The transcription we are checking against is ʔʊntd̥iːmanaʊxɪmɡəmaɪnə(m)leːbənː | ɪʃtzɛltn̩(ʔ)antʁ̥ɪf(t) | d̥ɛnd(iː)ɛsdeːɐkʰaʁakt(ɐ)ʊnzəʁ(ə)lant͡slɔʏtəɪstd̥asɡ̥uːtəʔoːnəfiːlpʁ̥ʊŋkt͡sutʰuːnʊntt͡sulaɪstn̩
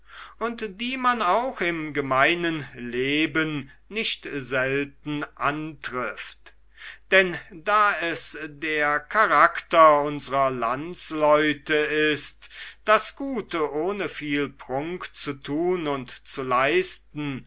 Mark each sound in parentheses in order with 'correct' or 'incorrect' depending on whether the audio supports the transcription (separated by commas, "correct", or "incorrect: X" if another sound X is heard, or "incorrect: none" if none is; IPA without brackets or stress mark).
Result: incorrect: n, correct, correct, incorrect: aː, correct, incorrect: ɐ